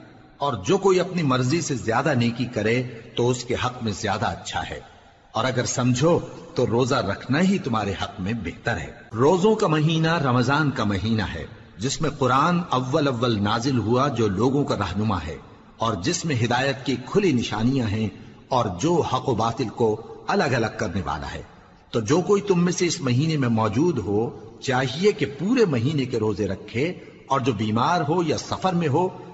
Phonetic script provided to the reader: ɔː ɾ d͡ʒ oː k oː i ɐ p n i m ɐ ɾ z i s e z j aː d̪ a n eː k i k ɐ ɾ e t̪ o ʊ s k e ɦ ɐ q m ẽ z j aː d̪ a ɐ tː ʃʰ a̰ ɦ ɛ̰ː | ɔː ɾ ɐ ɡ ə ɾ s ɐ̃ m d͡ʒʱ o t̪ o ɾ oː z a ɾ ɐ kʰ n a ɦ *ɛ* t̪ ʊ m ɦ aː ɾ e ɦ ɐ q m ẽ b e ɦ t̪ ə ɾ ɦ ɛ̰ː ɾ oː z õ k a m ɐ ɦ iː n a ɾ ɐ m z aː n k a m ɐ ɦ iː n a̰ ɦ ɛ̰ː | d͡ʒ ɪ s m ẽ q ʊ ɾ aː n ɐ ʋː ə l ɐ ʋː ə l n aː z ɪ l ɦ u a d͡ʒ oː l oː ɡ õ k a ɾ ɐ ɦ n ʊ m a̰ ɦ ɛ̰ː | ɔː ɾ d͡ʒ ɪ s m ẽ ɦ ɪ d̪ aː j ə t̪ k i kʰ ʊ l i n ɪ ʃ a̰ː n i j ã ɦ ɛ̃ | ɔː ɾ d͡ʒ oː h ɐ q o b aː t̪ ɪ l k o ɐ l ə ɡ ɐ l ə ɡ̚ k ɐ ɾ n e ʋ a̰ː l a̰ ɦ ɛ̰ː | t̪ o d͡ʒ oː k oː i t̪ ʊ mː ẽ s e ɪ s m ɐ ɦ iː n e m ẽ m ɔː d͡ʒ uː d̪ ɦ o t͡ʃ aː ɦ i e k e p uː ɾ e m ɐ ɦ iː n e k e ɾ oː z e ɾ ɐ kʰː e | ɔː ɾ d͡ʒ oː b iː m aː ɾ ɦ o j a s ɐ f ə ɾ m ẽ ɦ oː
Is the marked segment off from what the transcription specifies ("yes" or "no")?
yes